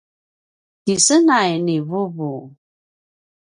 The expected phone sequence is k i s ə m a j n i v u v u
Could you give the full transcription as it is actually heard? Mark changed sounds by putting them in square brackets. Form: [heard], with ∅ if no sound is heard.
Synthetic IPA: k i s ə [n] a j n i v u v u